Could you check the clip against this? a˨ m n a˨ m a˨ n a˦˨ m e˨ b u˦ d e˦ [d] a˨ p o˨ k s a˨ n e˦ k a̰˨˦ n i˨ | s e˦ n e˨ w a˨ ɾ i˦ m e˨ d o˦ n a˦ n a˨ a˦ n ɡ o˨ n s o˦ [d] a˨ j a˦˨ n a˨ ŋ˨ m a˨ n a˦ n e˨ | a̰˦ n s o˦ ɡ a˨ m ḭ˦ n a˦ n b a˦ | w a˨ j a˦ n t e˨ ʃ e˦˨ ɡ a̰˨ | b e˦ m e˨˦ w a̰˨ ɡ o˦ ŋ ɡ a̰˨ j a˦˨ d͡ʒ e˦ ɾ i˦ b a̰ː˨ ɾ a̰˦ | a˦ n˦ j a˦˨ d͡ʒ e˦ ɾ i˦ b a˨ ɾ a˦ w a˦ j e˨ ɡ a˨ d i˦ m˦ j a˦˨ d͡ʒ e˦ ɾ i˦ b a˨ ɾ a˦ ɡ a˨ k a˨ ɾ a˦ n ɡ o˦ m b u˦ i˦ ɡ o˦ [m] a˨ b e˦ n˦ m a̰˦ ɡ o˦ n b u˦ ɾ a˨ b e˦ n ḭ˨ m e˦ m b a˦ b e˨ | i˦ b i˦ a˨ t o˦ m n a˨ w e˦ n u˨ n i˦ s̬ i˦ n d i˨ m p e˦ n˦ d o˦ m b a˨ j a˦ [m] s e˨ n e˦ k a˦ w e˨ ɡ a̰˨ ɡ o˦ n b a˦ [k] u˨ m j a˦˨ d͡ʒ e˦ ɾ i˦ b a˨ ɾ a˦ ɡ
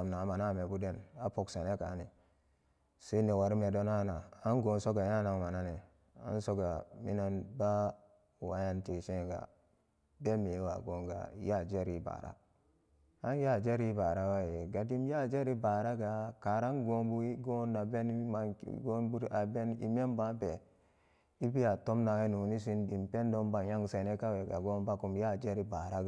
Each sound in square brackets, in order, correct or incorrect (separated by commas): incorrect, incorrect, incorrect, incorrect, correct